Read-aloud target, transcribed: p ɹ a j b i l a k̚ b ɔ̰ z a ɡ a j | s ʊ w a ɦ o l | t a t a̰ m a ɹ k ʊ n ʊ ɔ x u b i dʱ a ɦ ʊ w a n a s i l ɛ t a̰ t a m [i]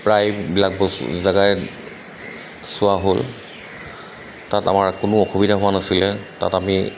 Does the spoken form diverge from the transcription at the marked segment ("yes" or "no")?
no